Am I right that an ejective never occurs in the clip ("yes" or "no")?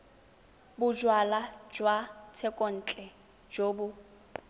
no